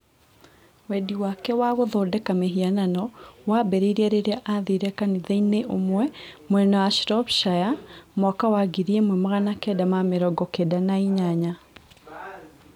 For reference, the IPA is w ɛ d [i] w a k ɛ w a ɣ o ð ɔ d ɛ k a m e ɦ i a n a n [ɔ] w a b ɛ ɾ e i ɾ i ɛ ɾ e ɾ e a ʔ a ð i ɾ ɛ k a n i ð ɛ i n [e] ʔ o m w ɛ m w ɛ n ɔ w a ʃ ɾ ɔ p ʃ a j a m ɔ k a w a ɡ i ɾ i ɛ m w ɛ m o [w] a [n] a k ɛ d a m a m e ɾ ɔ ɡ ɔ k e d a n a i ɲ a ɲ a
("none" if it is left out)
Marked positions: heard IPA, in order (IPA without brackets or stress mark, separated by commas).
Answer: i, ɔ, e, ɣ, n